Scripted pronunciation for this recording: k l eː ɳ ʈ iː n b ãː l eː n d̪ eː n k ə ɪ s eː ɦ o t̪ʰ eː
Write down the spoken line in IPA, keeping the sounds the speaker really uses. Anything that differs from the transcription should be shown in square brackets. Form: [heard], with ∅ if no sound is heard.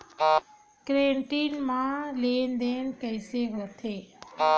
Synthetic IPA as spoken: k [ɾ] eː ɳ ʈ iː n [m] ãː l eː n d̪ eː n k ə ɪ s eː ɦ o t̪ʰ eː